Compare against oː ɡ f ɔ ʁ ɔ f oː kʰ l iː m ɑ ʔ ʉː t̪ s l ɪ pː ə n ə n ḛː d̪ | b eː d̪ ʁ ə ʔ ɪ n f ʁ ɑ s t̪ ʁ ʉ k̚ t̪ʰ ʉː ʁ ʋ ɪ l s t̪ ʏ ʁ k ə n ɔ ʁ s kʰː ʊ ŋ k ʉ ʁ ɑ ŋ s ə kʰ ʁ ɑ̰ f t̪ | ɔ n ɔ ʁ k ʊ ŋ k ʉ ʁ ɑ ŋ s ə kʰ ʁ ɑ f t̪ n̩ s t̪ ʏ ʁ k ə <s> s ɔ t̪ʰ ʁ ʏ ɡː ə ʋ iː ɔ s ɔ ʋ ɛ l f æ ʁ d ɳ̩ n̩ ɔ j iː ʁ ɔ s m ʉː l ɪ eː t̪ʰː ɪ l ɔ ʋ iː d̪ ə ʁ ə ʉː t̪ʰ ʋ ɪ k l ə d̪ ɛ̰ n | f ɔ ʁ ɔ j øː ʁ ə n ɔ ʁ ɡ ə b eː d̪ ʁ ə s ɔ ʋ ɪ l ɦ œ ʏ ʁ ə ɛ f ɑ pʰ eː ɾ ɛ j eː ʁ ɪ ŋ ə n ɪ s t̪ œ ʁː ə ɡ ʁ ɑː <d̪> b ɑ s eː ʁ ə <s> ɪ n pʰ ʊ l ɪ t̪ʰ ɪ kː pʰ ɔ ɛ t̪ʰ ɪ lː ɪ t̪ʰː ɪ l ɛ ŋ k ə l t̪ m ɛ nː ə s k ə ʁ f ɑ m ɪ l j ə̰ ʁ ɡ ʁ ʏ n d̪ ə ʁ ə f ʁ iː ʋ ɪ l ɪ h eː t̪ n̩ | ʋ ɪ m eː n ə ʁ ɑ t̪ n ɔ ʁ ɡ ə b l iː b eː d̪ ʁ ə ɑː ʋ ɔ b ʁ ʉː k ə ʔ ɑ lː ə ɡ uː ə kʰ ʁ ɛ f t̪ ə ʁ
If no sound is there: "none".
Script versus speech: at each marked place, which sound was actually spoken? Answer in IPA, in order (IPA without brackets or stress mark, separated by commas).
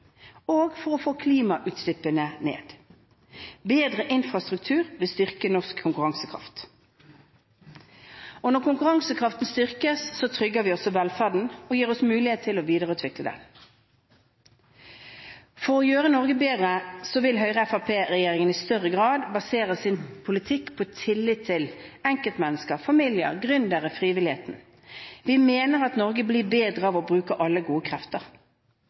s, d̪, s